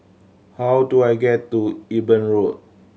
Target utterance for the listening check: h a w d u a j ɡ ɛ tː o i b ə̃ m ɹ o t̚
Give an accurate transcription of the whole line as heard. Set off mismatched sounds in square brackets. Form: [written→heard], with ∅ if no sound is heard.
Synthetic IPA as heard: h a w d u a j ɡ ɛ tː [o→u] i b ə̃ [m→n] ɹ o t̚